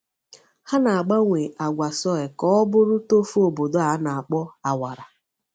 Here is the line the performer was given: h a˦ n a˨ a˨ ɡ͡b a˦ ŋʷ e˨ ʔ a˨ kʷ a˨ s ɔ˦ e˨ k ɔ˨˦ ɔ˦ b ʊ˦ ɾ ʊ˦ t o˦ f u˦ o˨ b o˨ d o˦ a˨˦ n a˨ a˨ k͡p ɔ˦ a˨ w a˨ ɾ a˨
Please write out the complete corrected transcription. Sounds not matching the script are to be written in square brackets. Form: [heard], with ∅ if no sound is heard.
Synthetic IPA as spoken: h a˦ n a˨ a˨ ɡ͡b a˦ ŋʷ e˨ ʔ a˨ [ɡʷ] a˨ s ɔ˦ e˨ k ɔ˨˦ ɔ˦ b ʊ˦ ɾ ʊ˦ t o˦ f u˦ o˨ b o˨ d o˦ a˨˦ n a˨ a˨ k͡p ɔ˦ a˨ w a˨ ɾ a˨